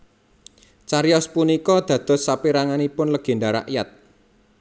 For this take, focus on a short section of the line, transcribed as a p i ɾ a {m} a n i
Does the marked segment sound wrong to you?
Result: yes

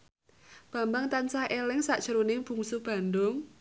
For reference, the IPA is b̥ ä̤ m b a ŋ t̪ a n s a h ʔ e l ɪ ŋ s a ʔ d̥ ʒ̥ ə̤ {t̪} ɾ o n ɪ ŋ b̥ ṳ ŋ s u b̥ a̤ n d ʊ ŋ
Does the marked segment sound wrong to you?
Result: yes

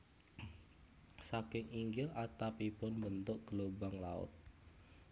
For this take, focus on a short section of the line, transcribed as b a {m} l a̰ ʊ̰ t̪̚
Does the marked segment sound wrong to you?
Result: yes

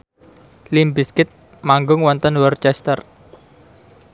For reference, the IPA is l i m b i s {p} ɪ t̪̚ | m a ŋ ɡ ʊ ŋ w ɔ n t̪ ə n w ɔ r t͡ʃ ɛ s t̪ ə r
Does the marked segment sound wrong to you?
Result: yes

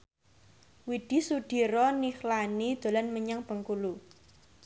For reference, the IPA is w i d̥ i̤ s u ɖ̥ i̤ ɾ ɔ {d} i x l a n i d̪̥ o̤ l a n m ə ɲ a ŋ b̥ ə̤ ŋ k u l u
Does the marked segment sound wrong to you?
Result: yes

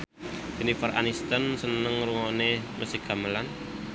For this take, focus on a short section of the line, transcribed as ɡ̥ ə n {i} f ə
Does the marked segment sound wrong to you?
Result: no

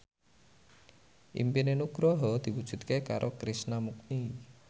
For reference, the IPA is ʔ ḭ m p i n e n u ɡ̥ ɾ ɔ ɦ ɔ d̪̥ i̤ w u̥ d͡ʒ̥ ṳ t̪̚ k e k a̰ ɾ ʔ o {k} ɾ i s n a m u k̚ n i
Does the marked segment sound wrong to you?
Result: no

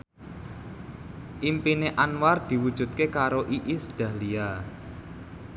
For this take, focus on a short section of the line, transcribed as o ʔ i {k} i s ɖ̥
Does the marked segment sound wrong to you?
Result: yes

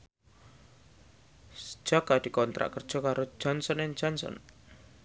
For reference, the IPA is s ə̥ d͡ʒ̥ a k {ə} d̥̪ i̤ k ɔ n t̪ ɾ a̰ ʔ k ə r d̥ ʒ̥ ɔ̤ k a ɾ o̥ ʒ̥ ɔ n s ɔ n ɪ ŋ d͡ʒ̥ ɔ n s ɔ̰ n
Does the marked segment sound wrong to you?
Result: yes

